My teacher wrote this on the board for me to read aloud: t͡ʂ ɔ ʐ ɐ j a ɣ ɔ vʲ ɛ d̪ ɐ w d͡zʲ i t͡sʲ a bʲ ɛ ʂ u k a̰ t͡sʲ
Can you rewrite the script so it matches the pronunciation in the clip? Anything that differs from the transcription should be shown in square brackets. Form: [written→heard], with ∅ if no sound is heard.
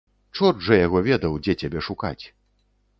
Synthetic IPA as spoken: t͡ʂ ɔ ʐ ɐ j a ɣ ɔ vʲ ɛ d̪ ɐ w d͡zʲ [i→ɛ] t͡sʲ a bʲ ɛ ʂ u k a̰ t͡sʲ

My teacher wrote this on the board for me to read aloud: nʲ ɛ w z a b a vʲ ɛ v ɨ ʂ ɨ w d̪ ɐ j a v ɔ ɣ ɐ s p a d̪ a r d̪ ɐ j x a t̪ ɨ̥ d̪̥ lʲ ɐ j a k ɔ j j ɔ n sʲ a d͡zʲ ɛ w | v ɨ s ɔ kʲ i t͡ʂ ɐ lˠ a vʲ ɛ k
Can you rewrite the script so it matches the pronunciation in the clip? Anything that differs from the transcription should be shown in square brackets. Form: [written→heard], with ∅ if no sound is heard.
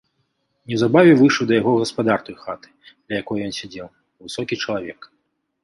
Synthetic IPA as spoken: nʲ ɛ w z a b a vʲ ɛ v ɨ ʂ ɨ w d̪ ɐ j a [v→ɣ] ɔ ɣ ɐ s p a d̪ a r [d̪→t̪] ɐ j x a t̪ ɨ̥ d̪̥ lʲ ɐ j a k ɔ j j ɔ n sʲ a d͡zʲ ɛ w | v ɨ s ɔ kʲ i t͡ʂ ɐ lˠ a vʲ ɛ k

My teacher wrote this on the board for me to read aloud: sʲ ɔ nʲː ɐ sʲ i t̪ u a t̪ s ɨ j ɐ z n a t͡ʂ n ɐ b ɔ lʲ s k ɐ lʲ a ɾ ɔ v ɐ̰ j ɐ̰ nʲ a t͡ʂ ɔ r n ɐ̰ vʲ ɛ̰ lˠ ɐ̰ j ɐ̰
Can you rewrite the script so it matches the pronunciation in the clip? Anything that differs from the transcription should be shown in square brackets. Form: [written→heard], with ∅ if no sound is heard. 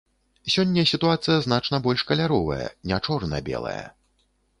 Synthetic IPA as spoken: sʲ ɔ nʲː ɐ sʲ i t̪ u a t̪ s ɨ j ɐ z n a t͡ʂ n ɐ b ɔ lʲ [s→ʂ] k ɐ lʲ a ɾ ɔ v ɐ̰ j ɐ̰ nʲ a t͡ʂ ɔ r n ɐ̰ [vʲ→bʲ] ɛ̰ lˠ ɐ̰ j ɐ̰

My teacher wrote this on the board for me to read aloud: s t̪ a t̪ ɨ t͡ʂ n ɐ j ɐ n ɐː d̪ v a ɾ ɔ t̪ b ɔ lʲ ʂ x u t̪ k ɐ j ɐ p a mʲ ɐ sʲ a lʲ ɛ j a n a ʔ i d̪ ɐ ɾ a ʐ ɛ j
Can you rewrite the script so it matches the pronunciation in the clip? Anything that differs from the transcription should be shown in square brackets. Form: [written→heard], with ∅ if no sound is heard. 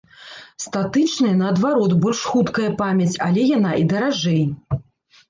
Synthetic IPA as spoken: s t̪ a t̪ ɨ t͡ʂ n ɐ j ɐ n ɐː d̪ v a ɾ ɔ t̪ b ɔ lʲ ʂ x u t̪ k ɐ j ɐ p a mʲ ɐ [sʲ→t͡sʲ] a lʲ ɛ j a n a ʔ i d̪ ɐ ɾ a ʐ ɛ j

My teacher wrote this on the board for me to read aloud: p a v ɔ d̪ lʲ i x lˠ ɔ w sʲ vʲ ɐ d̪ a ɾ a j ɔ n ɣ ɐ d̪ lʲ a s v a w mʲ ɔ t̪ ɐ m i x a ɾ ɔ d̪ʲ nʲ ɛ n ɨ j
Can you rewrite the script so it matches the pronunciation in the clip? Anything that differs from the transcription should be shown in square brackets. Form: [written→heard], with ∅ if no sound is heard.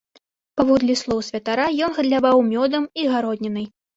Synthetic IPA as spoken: p a v ɔ d̪ lʲ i [x→s] lˠ ɔ w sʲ vʲ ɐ [d̪→t̪] a ɾ a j ɔ n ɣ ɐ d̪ lʲ a [s→∅] v a w mʲ ɔ [t̪→d̪] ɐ m i [x→ɣ] a ɾ ɔ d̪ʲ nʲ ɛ n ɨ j

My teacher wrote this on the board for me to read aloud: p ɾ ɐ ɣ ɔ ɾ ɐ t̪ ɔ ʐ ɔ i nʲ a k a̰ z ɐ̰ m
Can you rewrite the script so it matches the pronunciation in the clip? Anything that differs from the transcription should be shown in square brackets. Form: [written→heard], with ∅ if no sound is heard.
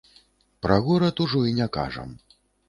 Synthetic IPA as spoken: p ɾ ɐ ɣ ɔ ɾ ɐ t̪ [ɔ→u] ʐ ɔ i nʲ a k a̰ [z→ʐ] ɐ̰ m

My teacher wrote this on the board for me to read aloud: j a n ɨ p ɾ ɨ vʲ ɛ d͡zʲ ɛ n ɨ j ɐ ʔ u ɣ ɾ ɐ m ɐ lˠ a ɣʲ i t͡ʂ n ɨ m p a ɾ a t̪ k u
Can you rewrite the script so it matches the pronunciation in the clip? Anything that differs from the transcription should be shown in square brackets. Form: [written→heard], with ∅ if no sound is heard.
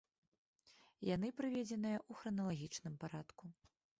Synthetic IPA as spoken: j a n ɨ p ɾ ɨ vʲ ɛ d͡zʲ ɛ n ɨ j ɐ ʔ u [ɣ→x] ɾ ɐ [m→n] ɐ lˠ a ɣʲ i t͡ʂ n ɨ m p a ɾ a t̪ k u

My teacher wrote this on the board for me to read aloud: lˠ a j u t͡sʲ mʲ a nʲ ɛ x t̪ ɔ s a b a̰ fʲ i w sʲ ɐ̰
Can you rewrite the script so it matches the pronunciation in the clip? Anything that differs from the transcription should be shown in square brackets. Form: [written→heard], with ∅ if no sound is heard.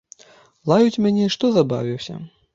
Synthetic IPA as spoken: lˠ a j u t͡sʲ mʲ a nʲ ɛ [x→ʂ] t̪ ɔ [s→z] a b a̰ [fʲ→vʲ] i w sʲ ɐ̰

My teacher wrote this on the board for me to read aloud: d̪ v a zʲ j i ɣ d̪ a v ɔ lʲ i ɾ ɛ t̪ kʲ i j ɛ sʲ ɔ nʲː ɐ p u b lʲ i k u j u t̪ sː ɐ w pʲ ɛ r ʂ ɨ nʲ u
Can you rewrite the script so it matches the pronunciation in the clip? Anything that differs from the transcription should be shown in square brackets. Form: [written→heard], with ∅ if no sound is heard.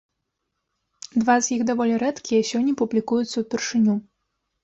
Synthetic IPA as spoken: d̪ v a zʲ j i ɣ d̪ a v ɔ lʲ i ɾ ɛ t̪ kʲ i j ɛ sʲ ɔ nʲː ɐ p u b lʲ i k u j u t̪ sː ɐ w pʲ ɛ r ʂ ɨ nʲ u

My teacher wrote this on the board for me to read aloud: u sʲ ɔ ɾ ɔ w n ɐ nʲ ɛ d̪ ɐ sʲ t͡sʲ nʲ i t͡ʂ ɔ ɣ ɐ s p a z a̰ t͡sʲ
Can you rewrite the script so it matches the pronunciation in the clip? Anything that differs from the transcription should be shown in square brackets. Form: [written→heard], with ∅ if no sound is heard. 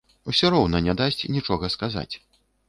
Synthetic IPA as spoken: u sʲ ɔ ɾ ɔ w n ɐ nʲ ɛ d̪ [ɐ→a] sʲ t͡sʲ nʲ i t͡ʂ ɔ ɣ ɐ s [p→k] a z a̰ t͡sʲ

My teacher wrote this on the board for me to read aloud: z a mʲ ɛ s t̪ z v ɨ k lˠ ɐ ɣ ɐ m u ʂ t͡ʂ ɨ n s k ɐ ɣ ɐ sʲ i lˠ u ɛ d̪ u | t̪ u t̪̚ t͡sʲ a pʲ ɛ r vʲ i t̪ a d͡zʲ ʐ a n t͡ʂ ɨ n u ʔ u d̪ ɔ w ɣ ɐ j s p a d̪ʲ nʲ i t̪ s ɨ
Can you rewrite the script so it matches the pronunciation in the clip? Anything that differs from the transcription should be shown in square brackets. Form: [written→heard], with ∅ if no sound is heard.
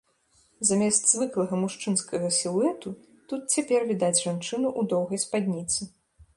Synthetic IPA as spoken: z a mʲ ɛ s t̪ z v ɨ k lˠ ɐ ɣ ɐ m u ʂ t͡ʂ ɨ n s k ɐ ɣ ɐ sʲ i lˠ u ɛ [d̪→t̪] u | t̪ u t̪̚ t͡sʲ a pʲ ɛ r vʲ i [t̪→d̪] a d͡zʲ ʐ a n t͡ʂ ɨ n u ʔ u d̪ ɔ w ɣ ɐ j s p a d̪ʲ nʲ i t̪ s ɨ

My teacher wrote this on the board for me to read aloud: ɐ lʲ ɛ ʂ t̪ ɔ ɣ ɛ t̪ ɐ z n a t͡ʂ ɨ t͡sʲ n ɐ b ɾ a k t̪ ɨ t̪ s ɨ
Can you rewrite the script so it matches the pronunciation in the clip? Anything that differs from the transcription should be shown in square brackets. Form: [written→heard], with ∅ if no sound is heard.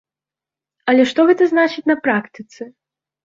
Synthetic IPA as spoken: ɐ lʲ ɛ ʂ t̪ ɔ ɣ ɛ t̪ ɐ z n a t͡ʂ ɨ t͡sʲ n ɐ [b→p] ɾ a k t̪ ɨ t̪ s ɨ

